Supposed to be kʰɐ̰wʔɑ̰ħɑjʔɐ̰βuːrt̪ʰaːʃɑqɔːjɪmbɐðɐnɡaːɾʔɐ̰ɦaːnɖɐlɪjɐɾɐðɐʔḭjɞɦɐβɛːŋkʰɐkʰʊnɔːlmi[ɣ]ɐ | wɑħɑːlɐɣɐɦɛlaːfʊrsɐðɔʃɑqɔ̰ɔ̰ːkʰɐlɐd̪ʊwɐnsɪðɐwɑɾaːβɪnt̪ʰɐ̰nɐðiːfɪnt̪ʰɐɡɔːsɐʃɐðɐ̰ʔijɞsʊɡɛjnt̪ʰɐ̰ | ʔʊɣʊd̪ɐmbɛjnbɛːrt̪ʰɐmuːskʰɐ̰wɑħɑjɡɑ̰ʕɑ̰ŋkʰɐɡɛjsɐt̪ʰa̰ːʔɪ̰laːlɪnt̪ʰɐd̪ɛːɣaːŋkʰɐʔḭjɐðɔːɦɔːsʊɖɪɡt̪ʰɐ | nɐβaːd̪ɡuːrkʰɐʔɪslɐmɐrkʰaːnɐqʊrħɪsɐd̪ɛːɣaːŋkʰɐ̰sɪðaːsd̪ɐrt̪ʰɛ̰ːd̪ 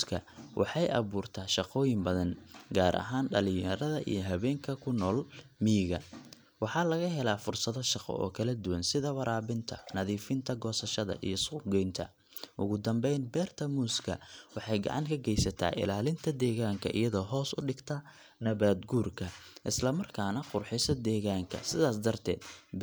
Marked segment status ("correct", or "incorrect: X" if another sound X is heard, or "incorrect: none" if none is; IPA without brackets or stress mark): correct